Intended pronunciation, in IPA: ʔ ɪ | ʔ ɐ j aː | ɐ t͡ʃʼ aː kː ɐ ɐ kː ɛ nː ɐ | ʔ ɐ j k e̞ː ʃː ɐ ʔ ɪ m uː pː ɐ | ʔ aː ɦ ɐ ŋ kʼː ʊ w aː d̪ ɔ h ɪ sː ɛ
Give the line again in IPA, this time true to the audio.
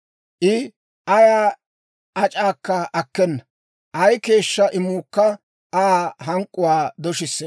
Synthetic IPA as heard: ʔ ɪ | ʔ ɐ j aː | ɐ t͡ʃʼ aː kː ɐ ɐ kː ɛ nː ɐ | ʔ ɐ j k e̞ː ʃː ɐ ʔ ɪ m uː kː ɐ | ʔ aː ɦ ɐ ŋ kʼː ʊ w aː d̪ ɔ ʃ ɪ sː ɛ